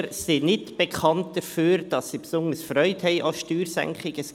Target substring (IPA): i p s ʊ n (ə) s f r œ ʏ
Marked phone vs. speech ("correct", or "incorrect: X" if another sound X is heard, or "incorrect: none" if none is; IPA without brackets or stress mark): correct